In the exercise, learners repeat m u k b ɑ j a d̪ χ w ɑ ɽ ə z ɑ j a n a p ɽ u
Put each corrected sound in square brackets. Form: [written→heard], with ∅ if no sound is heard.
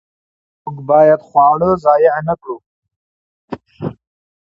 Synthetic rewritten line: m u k b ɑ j a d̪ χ w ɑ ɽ ə z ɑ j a n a [p→k] ɽ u